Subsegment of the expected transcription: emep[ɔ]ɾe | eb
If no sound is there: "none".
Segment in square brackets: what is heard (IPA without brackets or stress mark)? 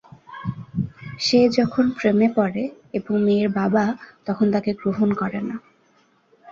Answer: ɔ